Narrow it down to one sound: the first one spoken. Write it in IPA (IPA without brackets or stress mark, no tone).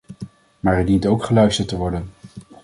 m